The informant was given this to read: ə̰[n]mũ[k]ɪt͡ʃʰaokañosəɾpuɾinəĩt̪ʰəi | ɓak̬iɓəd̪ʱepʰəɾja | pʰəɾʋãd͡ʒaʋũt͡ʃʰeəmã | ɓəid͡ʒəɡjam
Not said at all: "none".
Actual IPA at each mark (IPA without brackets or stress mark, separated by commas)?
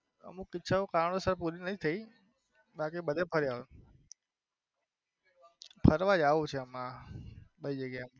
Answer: none, k